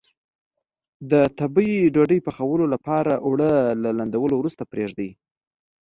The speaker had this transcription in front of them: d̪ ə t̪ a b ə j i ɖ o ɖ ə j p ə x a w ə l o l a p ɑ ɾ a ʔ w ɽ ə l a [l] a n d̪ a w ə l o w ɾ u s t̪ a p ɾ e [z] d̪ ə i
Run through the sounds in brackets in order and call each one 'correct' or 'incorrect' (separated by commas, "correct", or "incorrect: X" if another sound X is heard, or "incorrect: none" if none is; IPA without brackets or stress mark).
correct, incorrect: ʐ